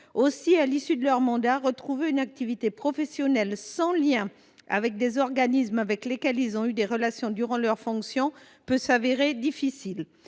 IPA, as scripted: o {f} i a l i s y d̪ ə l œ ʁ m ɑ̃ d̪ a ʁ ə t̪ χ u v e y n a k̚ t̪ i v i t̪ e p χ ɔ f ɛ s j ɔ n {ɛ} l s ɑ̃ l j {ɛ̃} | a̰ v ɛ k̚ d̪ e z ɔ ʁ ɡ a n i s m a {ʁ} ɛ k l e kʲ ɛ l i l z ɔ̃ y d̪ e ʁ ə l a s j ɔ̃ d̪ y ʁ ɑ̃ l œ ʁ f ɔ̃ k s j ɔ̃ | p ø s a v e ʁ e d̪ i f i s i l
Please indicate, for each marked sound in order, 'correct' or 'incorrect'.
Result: incorrect, correct, correct, incorrect

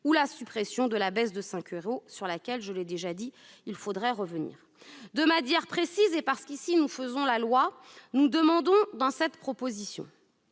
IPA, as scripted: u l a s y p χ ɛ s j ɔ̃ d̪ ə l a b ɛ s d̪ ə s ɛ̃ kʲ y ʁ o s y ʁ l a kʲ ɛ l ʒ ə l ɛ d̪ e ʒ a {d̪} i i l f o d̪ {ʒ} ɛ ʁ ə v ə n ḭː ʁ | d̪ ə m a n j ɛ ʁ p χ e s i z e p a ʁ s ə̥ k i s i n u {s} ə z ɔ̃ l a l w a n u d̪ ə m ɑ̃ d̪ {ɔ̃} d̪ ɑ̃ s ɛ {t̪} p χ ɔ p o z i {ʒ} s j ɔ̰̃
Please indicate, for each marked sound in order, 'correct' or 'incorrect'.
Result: correct, incorrect, incorrect, correct, correct, incorrect

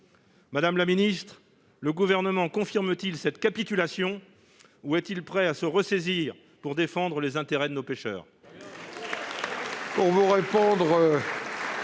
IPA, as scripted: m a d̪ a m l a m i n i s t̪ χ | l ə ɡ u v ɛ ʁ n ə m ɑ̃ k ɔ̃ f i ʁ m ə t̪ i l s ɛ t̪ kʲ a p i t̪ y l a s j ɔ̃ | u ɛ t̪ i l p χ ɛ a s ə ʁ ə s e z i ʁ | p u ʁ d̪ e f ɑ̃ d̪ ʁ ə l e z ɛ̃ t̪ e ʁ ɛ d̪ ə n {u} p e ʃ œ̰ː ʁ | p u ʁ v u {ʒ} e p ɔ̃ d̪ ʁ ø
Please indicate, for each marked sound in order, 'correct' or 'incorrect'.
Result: incorrect, incorrect

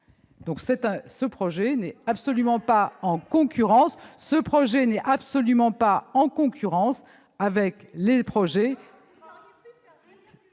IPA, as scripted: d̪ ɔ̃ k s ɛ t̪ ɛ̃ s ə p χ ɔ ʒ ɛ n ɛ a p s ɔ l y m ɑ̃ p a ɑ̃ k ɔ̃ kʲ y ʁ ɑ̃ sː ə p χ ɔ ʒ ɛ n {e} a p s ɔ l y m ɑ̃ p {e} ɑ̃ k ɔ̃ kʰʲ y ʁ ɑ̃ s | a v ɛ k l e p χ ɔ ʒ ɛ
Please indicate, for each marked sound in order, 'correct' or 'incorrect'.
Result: incorrect, incorrect

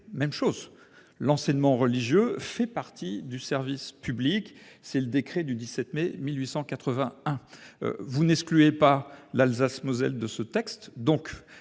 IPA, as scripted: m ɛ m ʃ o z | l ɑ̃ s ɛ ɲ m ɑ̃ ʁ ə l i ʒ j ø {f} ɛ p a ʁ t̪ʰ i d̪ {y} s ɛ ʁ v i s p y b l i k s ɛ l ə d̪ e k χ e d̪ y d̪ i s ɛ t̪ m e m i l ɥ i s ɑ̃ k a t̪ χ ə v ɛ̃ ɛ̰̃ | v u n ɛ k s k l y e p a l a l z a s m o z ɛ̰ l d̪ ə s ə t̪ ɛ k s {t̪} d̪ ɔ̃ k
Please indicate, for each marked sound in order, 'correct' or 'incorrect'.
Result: correct, correct, correct

